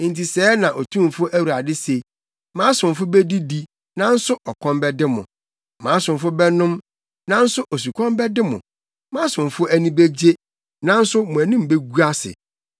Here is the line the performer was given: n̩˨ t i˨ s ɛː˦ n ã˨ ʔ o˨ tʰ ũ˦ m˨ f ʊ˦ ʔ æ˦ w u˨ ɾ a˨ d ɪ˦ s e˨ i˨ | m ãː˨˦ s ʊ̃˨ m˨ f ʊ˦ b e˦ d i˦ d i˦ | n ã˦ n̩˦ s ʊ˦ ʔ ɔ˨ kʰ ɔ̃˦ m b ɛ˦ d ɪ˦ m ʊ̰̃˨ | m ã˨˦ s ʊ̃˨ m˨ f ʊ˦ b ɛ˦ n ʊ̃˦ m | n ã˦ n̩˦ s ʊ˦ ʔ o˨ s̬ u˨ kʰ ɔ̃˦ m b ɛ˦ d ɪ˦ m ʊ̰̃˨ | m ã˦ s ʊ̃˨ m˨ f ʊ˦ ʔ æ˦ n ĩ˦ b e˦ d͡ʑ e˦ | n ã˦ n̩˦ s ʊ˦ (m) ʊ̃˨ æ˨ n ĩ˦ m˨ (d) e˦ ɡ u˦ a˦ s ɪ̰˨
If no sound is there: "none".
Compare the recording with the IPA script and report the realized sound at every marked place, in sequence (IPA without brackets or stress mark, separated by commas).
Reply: m, b